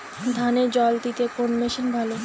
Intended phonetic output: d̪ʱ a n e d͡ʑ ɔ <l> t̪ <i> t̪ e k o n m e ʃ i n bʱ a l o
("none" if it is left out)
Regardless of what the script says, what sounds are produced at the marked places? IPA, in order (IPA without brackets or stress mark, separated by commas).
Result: l, i